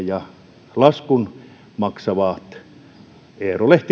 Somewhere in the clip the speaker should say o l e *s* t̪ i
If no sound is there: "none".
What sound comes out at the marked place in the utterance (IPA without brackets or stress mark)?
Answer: h